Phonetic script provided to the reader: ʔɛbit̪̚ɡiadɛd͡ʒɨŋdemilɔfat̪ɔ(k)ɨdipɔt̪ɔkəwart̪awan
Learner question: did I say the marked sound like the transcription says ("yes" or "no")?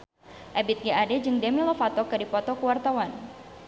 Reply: yes